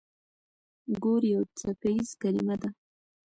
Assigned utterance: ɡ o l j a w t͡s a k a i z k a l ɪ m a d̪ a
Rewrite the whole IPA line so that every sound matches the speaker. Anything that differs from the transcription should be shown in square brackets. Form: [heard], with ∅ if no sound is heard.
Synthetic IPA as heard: ɡ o [ɾ] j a w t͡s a k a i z k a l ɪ m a d̪ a